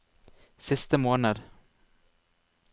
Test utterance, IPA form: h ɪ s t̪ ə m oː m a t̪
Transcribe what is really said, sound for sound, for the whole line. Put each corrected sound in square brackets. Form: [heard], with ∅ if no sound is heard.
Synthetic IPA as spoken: [s] ɪ s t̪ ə m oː [n] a [d̪]